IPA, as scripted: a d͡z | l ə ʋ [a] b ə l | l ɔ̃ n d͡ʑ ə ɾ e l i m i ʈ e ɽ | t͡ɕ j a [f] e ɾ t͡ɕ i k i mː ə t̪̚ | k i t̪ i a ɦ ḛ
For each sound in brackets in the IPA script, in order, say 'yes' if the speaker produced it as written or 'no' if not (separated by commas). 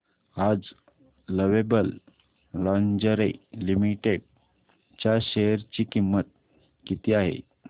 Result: no, no